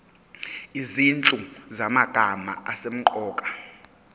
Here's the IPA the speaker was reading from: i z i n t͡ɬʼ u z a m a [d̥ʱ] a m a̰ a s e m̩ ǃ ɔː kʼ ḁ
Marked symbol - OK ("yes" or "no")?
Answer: no